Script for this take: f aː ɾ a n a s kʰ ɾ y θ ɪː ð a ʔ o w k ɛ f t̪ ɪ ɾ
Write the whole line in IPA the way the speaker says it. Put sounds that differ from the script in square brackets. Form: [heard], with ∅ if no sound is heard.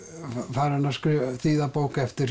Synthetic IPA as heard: f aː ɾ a n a s [k] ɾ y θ [iː] ð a [p] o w k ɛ f t̪ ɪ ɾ